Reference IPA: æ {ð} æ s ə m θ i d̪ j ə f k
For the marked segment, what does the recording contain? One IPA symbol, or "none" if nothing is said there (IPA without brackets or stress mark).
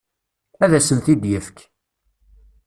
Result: ð